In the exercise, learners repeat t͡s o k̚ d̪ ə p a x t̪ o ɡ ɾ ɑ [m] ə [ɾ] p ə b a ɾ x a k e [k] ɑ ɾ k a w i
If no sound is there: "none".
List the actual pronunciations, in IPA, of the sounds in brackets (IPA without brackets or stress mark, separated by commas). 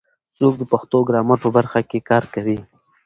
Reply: m, ɾ, k